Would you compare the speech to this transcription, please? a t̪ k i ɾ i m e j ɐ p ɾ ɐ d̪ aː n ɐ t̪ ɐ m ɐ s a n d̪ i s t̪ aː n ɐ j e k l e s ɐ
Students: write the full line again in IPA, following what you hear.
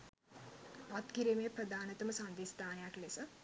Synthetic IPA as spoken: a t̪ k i ɾ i m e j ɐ p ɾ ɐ d̪ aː n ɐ t̪ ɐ m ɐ s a n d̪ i s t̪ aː n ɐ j a k l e s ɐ

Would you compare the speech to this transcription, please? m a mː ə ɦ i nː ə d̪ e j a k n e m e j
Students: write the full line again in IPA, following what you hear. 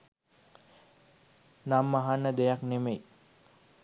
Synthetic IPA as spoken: n a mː a ɦ a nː ə d̪ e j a k n e m e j

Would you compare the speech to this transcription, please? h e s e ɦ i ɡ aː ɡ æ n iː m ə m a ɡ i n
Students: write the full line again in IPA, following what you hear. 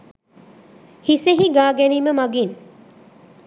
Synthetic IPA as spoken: h i s e ɦ i ɡ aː ɡ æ n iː m ə m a ɡ i n

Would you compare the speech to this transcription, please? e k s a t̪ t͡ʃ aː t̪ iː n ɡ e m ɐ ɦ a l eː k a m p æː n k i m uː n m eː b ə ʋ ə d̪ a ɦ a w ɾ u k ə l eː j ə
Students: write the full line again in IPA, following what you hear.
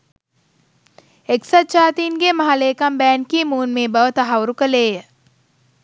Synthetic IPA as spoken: e k s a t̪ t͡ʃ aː t̪ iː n ɡ e m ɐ ɦ a l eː k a m b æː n k i m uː n m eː b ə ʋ ə t̪ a ɦ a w ɾ u k ə l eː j ə

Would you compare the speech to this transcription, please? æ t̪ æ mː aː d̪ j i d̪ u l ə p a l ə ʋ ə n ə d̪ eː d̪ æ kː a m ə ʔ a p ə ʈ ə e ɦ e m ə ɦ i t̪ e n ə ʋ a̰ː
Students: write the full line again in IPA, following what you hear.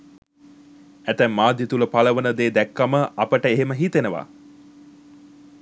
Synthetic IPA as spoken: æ t̪ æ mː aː d̪ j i t̪ u l ə p a l ə ʋ ə n ə d̪ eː d̪ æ kː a m ə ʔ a p ə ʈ ə e ɦ e m ə ɦ i t̪ e n ə ʋ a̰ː

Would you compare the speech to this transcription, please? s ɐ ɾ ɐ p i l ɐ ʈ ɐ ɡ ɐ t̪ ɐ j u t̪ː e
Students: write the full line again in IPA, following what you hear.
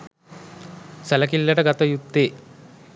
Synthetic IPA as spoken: s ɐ l ɐ k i lː ɐ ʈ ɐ ɡ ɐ t̪ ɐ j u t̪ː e

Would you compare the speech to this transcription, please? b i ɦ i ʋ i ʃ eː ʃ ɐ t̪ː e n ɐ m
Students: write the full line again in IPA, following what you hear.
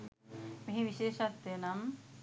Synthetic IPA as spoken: m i ɦ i ʋ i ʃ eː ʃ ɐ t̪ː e n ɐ m

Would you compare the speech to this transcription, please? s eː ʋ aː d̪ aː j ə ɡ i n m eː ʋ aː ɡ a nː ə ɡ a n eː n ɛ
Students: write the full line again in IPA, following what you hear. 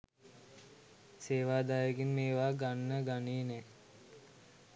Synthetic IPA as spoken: s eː ʋ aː d̪ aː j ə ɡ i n m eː ʋ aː ɡ a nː ə ɡ a n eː n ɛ

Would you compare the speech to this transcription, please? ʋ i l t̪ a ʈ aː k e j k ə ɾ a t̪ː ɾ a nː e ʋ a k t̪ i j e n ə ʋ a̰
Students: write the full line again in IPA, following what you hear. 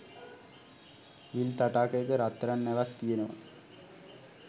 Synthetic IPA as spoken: ʋ i l t̪ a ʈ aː k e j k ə ɾ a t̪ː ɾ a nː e ʋ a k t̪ i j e n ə ʋ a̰

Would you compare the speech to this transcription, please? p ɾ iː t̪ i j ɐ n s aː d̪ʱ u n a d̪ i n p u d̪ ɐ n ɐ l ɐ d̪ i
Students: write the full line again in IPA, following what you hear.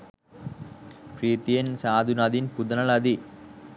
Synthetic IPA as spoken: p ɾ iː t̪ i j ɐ n s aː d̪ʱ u n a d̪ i n p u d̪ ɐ n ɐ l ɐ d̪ i

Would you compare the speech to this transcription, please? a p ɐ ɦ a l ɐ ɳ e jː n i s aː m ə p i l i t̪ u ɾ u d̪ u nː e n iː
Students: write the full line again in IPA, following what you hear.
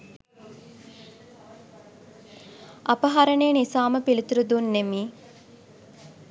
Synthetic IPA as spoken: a p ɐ ɦ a ɾ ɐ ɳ e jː n i s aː m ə p i l i t̪ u ɾ u d̪ u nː e m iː

